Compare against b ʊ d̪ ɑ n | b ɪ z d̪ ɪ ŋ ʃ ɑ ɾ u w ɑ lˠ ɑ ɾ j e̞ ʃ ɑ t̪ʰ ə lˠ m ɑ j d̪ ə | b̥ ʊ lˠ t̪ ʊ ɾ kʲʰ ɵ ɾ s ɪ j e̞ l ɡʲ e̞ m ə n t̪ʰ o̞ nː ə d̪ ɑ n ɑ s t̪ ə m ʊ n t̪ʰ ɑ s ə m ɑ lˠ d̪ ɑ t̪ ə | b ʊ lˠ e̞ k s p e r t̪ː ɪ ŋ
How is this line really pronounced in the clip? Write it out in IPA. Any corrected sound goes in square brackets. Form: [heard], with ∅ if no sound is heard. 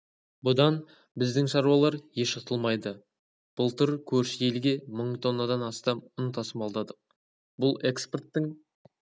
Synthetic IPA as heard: b ʊ d̪ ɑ n | b ɪ z d̪ ɪ ŋ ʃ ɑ ɾ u w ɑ lˠ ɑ ɾ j e̞ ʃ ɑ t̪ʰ ə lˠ m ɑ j d̪ ə | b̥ ʊ lˠ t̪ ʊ ɾ kʲʰ ɵ ɾ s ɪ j e̞ l ɡʲ e̞ m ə [ɴ] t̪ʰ o̞ nː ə d̪ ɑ n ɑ s t̪ [ɑ] m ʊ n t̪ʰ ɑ s ə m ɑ lˠ d̪ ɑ [d̪] ə | b ʊ lˠ e̞ k s p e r t̪ː ɪ ŋ

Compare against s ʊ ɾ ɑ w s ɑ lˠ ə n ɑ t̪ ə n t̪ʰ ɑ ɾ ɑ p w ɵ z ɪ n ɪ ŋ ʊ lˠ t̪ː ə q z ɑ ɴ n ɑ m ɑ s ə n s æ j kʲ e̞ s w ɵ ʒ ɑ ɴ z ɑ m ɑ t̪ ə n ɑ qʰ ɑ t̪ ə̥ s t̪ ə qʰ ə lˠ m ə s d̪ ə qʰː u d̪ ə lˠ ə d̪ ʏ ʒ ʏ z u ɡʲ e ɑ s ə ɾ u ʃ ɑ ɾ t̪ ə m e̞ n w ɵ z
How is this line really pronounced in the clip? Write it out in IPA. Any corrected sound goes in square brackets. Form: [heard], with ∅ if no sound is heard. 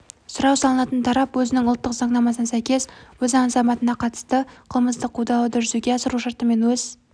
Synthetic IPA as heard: s ʊ ɾ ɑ w s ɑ lˠ ə n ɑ t̪ ə n t̪ʰ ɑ ɾ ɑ p w ɵ z ɪ n ɪ ŋ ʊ lˠ t̪ː ə q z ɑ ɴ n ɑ m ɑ s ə n s æ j kʲ e̞ s w ɵ [z] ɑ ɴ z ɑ m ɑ t̪ ə n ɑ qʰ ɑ t̪ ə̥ s t̪ ə qʰ ə lˠ m ə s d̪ ə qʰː u d̪ [ɑ] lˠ ə d̪ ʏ ʒ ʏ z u ɡʲ e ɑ s ə ɾ u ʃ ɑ ɾ t̪ ə m e̞ n w ɵ z

